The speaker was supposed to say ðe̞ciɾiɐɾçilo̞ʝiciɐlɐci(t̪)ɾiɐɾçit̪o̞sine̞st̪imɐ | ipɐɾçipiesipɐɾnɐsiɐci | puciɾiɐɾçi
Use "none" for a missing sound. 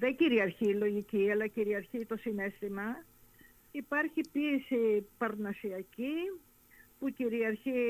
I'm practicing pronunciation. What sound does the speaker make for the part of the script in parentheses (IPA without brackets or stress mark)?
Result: none